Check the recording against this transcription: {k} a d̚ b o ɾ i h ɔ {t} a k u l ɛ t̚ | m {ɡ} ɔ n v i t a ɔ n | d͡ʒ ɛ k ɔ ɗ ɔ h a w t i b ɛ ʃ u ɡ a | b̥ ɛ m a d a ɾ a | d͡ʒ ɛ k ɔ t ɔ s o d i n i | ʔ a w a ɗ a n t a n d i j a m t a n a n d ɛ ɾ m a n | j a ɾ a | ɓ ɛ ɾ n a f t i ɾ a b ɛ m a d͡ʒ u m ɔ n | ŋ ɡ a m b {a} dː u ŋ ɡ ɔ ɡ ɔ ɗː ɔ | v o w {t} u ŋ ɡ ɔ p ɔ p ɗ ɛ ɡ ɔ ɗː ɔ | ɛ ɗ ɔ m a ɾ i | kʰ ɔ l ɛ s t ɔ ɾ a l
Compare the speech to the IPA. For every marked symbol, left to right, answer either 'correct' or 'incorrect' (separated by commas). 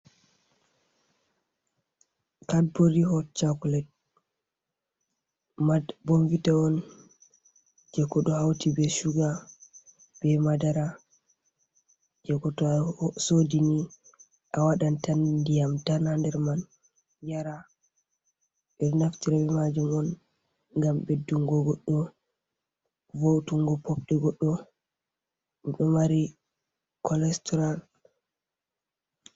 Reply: correct, incorrect, incorrect, incorrect, correct